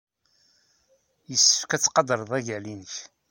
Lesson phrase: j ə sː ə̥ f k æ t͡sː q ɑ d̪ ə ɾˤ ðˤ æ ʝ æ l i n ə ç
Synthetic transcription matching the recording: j ə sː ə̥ f k æ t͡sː q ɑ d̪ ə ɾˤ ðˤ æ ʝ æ l i n ə ç